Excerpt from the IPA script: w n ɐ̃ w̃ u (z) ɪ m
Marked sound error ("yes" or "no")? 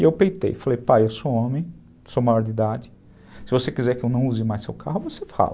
no